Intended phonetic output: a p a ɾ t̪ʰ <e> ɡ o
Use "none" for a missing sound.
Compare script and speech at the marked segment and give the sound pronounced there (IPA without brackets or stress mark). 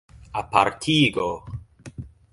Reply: i